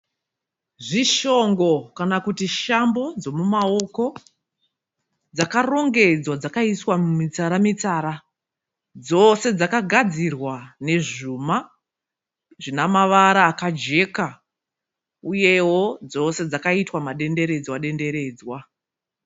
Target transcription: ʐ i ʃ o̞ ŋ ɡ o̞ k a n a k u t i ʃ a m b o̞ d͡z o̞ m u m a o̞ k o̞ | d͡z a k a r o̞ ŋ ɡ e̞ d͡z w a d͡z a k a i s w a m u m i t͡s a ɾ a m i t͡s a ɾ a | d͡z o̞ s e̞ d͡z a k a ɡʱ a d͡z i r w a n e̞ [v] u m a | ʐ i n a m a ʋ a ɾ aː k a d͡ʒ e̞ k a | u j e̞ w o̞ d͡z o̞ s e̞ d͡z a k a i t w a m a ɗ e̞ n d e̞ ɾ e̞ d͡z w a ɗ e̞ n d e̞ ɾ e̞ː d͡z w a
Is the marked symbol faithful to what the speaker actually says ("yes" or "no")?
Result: no